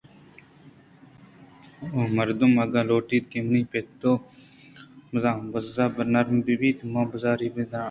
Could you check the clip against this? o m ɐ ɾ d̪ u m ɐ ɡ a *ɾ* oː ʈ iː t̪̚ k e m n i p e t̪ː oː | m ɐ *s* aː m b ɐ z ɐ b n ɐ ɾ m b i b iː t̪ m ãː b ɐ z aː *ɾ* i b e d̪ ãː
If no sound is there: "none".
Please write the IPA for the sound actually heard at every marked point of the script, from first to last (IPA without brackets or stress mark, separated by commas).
l, z, ɾ